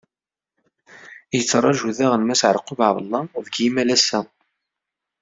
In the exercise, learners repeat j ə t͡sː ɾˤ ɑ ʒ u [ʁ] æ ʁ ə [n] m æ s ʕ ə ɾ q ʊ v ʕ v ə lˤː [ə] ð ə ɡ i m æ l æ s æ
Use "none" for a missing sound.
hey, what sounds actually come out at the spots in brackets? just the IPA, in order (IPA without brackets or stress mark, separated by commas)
ð, n, ɑ